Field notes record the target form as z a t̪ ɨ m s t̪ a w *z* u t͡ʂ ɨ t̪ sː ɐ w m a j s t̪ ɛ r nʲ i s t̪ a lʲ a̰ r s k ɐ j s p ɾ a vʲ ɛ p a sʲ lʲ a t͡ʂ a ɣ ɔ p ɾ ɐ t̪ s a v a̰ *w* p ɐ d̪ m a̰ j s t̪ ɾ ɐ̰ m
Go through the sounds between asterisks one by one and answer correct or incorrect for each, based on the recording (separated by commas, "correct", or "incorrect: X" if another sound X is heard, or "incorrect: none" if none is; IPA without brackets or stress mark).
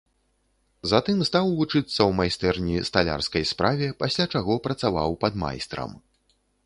incorrect: v, correct